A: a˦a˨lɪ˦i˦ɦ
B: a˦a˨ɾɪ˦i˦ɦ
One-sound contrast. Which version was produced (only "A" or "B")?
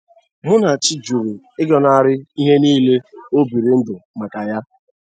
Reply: B